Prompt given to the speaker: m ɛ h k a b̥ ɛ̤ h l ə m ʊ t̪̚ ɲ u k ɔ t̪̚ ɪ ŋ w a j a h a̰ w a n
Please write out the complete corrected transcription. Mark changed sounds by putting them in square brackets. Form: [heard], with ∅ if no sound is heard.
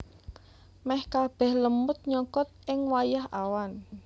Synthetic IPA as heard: m ɛ h k a b̥ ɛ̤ h l ə m ʊ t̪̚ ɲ [ɔ] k ɔ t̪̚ ɪ ŋ w a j a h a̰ w a n